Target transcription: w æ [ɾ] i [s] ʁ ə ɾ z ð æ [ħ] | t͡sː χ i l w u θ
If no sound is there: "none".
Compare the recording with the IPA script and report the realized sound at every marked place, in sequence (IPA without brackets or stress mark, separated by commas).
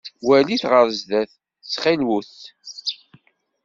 l, θ, θ